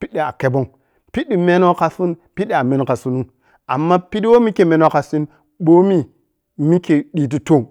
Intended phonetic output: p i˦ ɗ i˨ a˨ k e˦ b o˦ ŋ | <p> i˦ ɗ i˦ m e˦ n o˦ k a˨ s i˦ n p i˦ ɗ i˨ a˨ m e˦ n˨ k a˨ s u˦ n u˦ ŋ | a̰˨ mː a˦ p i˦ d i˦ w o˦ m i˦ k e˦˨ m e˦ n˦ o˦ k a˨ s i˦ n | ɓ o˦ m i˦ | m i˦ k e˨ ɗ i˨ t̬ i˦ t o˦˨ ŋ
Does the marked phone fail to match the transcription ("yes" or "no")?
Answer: no